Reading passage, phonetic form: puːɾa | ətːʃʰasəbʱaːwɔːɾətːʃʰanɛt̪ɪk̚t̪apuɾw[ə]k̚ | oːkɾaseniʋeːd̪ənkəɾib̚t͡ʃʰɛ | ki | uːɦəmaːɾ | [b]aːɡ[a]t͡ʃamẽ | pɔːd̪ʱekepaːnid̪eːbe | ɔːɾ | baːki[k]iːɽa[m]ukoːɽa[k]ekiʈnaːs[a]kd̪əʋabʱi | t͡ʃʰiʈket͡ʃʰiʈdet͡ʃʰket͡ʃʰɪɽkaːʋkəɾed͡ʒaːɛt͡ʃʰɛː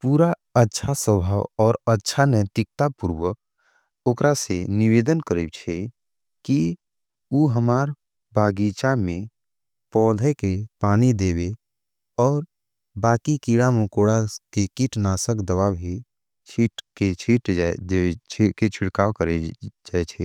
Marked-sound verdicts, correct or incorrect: correct, correct, incorrect: i, correct, correct, correct, incorrect: ə

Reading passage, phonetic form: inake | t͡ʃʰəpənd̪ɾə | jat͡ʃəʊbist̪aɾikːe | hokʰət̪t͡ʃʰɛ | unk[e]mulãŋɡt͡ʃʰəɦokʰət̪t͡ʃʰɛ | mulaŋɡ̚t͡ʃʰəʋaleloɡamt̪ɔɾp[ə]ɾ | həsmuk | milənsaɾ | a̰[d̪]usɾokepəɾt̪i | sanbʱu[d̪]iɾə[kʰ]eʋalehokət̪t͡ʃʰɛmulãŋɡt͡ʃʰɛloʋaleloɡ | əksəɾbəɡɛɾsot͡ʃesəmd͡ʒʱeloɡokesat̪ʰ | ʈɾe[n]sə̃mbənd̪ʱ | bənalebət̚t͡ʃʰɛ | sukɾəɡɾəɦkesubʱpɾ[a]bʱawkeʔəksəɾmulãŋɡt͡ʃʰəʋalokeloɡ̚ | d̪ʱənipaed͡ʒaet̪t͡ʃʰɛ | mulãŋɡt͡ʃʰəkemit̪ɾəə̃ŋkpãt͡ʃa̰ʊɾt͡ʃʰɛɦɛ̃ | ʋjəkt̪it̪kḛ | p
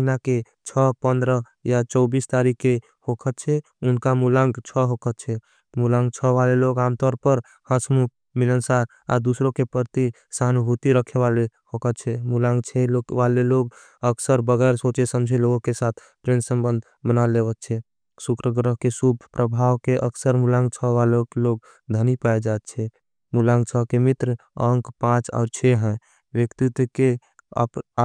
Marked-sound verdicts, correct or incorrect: incorrect: a, correct, correct, incorrect: t̪, correct, correct, incorrect: ə

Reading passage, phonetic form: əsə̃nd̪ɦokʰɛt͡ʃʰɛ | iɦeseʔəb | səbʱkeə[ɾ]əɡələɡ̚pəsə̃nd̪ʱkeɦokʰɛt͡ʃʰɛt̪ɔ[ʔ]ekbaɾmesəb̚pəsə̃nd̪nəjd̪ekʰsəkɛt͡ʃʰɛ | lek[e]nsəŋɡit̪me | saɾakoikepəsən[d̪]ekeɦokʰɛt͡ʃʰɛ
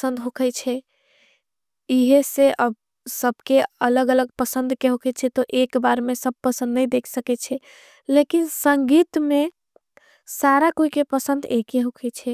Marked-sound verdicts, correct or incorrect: incorrect: l, correct, incorrect: i, correct

